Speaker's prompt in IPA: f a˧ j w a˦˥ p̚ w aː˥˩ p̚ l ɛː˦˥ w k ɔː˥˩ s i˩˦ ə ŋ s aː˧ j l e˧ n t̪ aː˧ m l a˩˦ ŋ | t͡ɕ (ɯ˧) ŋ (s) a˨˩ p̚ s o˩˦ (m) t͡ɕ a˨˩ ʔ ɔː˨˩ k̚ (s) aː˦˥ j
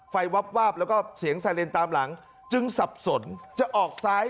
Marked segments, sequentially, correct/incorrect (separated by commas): correct, correct, incorrect, correct